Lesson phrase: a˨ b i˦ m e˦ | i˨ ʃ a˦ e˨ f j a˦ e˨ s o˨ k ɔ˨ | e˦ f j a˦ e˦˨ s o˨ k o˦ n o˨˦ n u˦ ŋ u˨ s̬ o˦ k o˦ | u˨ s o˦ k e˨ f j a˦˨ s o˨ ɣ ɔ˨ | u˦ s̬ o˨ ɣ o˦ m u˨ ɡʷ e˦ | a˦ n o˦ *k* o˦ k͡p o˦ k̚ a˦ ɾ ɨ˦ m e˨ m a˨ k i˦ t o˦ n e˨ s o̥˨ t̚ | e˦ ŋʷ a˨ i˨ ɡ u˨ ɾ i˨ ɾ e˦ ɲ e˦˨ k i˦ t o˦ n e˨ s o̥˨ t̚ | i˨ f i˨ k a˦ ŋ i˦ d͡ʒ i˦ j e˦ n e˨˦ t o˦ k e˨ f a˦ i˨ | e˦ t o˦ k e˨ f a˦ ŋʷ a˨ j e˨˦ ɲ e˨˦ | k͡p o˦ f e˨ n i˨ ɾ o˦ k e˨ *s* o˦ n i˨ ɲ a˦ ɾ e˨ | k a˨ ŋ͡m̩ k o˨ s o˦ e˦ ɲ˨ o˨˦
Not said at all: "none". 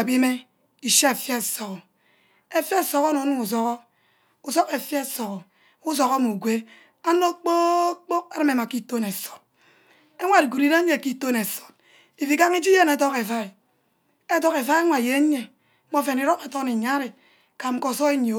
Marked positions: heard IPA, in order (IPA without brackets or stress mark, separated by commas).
k͡p, t